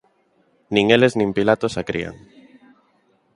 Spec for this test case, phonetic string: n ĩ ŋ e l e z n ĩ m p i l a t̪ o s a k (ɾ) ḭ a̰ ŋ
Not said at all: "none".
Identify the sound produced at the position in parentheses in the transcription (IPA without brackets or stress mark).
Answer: ɾ